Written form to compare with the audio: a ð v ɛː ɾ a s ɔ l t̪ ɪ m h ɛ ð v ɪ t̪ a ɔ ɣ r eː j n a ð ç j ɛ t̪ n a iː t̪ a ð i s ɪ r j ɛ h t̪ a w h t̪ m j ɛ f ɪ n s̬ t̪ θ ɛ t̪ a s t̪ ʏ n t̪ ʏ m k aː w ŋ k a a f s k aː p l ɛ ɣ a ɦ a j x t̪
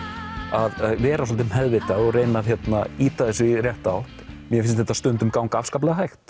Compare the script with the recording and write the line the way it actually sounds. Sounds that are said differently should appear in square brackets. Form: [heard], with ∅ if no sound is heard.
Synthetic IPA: a ð v ɛː ɾ a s ɔ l t̪ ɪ m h ɛ ð v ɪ t̪ a ɔ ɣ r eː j n a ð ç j ɛ t̪ n a iː t̪ a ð [ɛ] s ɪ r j ɛ h t̪ a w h t̪ m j ɛ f ɪ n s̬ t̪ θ ɛ t̪ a s t̪ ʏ n t̪ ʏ m k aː w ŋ k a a f s k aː p l ɛ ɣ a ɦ a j x t̪